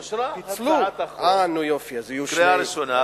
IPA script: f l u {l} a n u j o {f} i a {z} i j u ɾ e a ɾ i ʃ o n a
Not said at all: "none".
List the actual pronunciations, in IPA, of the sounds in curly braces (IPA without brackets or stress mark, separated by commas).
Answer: none, f, z